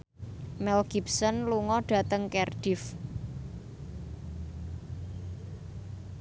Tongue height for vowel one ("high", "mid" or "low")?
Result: mid